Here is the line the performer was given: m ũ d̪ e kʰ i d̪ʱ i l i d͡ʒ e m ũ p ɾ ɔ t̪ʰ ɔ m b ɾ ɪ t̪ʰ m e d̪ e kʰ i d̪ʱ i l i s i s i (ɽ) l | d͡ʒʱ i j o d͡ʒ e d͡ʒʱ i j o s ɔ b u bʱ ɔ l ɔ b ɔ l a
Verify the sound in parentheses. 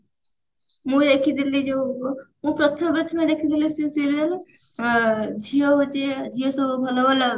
incorrect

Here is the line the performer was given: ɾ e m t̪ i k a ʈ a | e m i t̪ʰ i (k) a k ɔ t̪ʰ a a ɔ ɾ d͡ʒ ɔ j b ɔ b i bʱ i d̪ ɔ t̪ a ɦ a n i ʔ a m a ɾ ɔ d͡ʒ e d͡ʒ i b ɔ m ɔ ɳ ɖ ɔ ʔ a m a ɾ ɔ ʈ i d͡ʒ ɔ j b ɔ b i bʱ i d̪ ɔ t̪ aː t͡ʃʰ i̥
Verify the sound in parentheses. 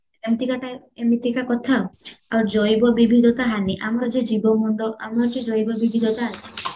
correct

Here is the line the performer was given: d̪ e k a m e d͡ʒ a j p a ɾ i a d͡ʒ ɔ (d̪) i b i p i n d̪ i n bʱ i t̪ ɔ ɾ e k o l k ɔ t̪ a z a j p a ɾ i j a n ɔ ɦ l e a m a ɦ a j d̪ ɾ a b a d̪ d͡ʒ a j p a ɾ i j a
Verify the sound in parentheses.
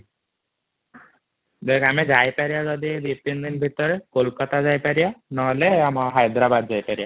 correct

